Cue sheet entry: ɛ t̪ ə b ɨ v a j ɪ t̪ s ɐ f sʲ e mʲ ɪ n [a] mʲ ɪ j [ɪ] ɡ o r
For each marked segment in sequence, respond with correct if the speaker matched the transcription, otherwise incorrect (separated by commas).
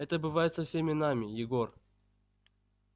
correct, correct